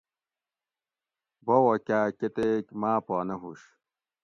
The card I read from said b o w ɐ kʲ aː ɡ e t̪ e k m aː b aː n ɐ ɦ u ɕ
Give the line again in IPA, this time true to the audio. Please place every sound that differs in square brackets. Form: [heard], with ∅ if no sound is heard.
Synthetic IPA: b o w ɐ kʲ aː [k] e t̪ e k m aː [p] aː n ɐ ɦ u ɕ